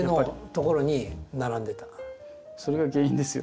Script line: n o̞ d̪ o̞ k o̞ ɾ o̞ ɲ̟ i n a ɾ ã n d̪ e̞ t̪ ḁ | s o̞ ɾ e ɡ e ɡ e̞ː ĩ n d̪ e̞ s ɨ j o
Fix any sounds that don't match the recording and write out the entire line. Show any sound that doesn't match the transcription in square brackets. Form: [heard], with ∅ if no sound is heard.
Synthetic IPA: n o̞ [t̪] o̞ k o̞ ɾ o̞ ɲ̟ i n a ɾ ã n d̪ e̞ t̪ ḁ | s o̞ ɾ e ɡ [a] ɡ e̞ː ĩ n d̪ e̞ s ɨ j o